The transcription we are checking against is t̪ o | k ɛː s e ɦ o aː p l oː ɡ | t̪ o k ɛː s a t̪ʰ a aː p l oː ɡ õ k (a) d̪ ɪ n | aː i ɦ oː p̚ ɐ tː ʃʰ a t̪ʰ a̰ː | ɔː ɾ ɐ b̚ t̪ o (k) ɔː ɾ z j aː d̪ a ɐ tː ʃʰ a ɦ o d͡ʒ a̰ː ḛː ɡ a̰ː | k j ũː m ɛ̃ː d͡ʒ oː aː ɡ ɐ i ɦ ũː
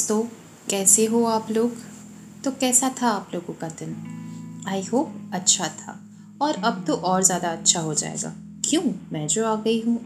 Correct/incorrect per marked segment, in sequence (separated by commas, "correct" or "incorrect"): correct, incorrect